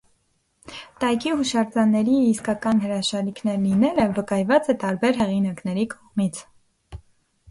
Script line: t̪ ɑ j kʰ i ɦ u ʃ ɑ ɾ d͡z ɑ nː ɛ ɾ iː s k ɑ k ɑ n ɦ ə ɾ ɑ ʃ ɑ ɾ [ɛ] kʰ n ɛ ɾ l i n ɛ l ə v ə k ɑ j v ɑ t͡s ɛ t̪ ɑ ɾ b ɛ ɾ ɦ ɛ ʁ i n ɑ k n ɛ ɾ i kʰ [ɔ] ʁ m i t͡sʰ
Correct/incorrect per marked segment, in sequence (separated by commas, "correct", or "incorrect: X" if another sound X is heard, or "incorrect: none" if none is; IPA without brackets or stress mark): incorrect: i, correct